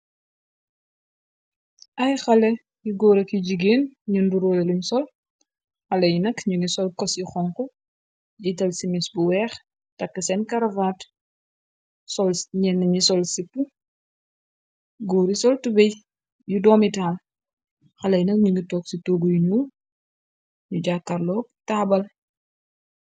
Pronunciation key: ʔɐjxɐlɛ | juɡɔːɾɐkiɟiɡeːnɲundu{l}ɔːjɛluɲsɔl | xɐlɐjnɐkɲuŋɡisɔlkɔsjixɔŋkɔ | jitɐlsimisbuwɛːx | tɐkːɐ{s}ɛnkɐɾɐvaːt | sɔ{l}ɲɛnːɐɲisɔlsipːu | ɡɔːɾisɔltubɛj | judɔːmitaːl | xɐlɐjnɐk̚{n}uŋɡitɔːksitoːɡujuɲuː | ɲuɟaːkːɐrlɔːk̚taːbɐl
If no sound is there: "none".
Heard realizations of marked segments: ɾ, s, l, ɲ

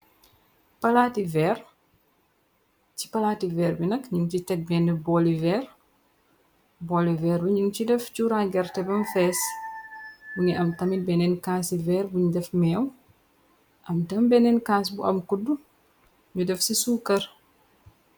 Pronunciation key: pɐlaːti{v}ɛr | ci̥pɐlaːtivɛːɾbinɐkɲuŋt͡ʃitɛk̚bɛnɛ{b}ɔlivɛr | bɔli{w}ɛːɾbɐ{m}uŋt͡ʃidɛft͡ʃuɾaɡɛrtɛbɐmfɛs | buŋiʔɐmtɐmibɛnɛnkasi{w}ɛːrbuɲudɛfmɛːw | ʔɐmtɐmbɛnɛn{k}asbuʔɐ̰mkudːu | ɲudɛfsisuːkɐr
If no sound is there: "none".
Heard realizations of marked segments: v, b, v, ɲ, v, k

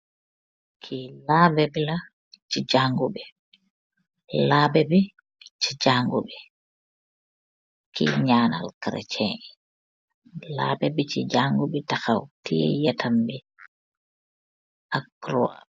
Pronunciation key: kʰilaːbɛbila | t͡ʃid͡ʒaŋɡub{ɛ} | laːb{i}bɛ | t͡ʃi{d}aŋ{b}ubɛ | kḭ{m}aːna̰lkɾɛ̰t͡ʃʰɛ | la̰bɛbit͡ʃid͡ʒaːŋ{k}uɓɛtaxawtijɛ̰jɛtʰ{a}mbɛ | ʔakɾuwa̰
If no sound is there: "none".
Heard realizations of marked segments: ɛ, ɛ, d͡ʒ, ɡ, ɲ, ɡ, a

